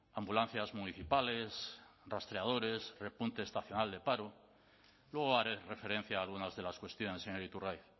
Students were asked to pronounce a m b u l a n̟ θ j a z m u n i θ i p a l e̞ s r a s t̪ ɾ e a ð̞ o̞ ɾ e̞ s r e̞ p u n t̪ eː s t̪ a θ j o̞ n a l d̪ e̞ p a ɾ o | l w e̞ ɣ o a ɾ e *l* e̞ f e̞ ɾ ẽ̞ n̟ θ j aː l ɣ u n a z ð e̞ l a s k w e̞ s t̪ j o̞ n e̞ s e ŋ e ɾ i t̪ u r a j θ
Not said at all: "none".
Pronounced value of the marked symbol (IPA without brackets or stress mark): r